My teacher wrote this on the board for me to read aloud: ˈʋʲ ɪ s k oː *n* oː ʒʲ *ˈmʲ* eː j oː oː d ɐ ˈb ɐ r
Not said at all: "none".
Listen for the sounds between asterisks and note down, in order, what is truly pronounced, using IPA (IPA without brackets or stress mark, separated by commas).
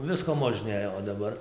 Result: m, nʲ